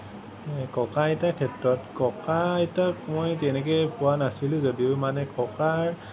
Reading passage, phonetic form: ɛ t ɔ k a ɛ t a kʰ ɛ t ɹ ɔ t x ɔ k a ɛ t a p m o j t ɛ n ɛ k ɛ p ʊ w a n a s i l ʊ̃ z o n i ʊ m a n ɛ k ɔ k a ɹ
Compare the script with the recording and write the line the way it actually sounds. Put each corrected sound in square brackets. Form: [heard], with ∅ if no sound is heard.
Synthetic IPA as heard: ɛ [k] ɔ k a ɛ t a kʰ ɛ t ɹ ɔ t [k] ɔ k a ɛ t a [k] m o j t ɛ n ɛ k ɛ p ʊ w a n a s i l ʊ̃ z o [d] i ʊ m a n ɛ k ɔ k a ɹ